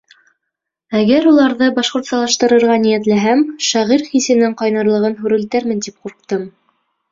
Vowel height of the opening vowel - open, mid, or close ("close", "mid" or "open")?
open